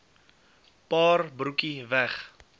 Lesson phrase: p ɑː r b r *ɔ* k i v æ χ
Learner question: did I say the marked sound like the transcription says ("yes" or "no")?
no